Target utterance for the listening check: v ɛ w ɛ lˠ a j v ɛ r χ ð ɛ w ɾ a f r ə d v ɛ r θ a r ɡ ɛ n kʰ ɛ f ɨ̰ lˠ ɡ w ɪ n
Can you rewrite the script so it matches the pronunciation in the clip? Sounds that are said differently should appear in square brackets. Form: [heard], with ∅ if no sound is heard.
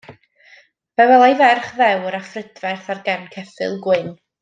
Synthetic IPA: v ɛ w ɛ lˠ a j v ɛ r χ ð ɛ w ɾ a f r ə d v ɛ r θ a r ɡ ɛ n kʰ ɛ f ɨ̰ lˠ ɡ w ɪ n